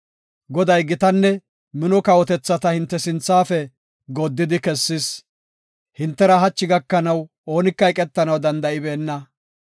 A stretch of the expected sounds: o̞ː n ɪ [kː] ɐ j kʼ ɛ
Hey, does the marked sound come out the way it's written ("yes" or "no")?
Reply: yes